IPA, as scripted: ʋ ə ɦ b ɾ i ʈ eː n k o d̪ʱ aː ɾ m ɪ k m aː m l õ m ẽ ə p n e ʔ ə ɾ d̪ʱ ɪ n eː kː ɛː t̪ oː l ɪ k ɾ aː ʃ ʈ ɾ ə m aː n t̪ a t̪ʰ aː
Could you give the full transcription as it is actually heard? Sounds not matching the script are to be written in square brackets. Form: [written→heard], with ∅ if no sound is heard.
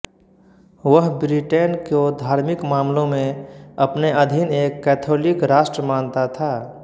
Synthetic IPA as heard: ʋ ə ɦ b ɾ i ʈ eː n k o d̪ʱ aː ɾ m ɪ k m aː m l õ m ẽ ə p n e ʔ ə [ɾ→∅] d̪ʱ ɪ n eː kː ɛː [t̪→t̪ʰ] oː l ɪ k ɾ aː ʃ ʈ ɾ ə m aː n t̪ a t̪ʰ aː